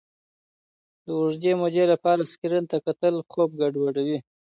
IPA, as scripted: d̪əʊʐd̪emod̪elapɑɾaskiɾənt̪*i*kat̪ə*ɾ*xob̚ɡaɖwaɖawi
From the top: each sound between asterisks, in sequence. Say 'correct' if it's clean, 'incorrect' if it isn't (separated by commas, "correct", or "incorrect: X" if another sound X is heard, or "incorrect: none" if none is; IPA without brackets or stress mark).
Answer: incorrect: a, incorrect: l